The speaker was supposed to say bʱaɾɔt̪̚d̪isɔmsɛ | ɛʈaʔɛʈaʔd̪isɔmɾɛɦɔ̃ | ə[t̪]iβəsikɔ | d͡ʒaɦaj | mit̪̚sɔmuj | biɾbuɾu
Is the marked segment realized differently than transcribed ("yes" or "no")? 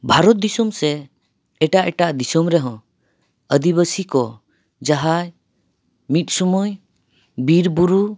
yes